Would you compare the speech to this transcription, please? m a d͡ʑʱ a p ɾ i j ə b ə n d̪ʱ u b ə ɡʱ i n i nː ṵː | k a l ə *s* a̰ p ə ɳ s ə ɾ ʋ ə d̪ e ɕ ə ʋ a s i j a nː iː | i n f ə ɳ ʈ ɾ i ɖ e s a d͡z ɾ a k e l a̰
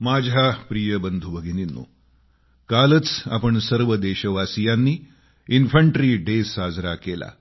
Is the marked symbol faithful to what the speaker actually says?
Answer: no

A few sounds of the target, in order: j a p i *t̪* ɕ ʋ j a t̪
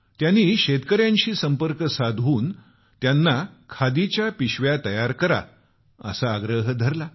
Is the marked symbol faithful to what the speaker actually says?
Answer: no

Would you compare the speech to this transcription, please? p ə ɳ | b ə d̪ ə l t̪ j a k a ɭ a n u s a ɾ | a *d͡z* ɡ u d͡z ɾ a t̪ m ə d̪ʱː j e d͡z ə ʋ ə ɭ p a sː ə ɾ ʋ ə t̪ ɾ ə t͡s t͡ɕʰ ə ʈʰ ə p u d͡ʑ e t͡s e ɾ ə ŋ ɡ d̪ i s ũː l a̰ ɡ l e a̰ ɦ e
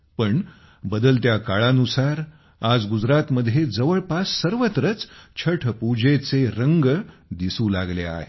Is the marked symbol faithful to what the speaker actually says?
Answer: yes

